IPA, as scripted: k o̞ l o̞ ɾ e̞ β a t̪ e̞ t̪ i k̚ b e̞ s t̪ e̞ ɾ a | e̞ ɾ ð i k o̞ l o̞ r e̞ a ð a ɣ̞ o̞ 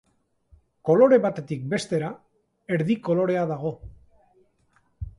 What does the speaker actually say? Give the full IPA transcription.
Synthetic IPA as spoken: k o̞ l o̞ ɾ e̞ β a t̪ e̞ t̪ i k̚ b e̞ s t̪ e̞ ɾ a | e̞ ɾ ð i k o̞ l o̞ ɾ e̞ a ð a ɣ̞ o̞